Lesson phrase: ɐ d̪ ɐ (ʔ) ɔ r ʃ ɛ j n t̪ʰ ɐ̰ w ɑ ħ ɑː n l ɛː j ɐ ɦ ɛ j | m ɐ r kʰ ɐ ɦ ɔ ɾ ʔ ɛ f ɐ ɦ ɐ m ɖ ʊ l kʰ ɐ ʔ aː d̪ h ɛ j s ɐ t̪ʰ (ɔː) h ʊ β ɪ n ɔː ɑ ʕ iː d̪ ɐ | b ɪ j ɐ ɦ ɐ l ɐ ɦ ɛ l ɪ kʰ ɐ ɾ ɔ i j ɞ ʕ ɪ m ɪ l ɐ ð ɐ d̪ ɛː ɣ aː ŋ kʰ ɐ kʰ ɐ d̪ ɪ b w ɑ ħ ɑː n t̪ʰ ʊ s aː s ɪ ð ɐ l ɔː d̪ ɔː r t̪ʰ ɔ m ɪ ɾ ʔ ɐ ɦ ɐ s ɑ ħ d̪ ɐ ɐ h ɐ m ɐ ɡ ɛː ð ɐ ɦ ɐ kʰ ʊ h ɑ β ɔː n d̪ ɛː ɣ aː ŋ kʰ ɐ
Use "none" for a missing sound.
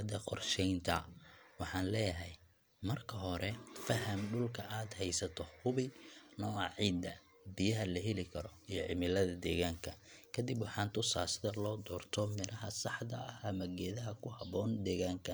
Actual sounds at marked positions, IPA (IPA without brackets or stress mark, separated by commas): q, ɔ